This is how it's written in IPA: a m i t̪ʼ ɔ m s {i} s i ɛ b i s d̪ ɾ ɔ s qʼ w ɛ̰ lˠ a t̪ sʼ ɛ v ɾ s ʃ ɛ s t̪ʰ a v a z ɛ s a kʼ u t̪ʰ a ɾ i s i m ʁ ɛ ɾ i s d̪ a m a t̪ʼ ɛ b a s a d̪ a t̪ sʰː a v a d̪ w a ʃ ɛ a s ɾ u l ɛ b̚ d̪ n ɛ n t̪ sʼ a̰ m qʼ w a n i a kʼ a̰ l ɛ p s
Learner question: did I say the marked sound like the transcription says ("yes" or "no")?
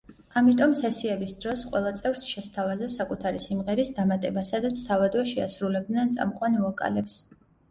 no